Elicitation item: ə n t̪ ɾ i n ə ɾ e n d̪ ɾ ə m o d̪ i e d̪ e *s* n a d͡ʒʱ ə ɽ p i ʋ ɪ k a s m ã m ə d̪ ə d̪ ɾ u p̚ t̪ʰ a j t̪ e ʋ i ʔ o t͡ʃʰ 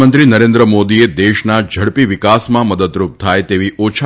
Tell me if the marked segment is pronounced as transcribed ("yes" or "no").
no